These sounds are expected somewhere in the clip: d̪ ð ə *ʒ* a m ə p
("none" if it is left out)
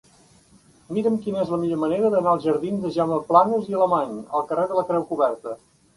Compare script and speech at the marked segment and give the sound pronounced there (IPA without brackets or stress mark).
ʒ